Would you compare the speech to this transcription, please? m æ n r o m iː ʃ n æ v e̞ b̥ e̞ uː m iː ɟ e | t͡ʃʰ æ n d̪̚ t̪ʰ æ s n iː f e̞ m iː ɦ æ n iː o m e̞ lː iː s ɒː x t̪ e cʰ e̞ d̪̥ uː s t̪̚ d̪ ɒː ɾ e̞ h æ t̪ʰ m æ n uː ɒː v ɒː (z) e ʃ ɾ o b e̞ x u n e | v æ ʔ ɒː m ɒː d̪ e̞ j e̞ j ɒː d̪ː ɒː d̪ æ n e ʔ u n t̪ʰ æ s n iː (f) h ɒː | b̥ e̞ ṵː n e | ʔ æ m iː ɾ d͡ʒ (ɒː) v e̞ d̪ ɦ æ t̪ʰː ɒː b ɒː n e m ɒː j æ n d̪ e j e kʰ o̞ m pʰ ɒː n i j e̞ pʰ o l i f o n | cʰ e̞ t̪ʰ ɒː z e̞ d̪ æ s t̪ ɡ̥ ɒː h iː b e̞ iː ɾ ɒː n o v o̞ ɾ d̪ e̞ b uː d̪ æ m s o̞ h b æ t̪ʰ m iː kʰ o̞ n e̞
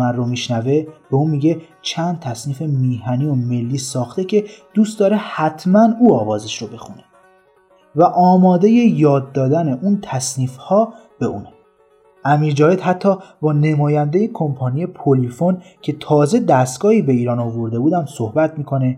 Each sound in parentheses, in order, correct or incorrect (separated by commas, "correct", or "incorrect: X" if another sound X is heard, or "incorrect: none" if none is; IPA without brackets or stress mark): correct, correct, correct